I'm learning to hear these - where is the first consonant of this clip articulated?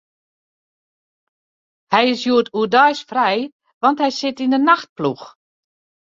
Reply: throat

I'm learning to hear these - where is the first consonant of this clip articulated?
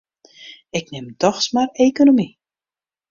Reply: velum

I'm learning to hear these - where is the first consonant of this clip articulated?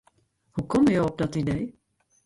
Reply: throat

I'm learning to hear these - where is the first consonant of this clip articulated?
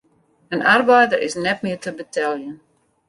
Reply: tongue tip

